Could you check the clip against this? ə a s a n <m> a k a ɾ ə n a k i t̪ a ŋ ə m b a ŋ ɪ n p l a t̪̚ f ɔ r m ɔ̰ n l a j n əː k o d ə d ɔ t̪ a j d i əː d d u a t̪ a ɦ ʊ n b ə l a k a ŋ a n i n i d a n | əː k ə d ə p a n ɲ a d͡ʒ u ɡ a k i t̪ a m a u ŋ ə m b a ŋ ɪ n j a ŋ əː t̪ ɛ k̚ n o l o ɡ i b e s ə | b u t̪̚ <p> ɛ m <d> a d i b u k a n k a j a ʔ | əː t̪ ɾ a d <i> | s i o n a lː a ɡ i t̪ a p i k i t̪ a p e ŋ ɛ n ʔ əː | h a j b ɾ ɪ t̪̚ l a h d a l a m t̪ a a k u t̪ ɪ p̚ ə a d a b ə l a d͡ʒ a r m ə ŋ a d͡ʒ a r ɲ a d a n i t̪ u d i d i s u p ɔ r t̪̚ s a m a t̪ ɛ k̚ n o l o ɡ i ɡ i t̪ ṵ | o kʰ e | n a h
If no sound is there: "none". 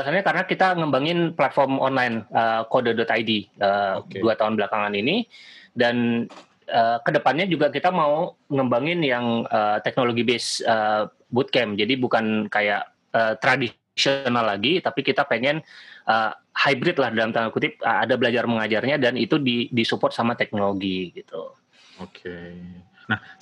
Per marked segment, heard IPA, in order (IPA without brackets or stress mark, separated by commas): ɲ, k, d͡ʒ, i